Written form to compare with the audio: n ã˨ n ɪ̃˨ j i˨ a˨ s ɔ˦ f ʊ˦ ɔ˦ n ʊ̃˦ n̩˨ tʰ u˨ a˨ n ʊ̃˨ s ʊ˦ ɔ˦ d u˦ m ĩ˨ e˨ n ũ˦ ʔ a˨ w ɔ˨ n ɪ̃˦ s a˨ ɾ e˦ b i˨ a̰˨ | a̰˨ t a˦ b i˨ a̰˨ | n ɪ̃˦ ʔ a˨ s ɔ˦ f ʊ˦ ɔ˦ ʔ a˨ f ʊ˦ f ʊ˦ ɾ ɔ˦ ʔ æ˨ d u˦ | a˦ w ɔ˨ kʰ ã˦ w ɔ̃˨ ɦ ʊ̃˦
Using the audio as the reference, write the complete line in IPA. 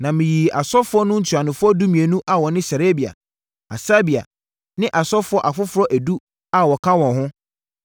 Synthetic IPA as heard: n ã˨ m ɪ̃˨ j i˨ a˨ s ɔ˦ f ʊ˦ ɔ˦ n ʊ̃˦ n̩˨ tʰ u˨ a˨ n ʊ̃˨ f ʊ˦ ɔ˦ d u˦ m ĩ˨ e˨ n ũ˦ ʔ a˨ w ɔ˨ n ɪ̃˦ s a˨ ɾ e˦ b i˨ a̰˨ | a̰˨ s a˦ b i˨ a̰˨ | n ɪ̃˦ ʔ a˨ s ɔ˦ f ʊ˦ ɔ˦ ʔ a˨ f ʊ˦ f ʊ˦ ɾ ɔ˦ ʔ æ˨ d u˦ | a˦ w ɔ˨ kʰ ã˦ w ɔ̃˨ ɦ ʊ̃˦